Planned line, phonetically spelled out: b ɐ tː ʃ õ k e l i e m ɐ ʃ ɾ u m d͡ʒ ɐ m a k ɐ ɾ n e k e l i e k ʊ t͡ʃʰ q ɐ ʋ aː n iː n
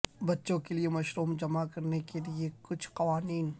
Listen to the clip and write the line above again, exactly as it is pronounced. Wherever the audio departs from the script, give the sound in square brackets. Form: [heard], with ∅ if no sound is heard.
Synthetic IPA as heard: b ɐ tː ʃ õ k e l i e m ɐ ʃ ɾ [uː] m d͡ʒ ɐ m a k ɐ ɾ n e k e l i e k ʊ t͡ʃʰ q ɐ ʋ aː n iː n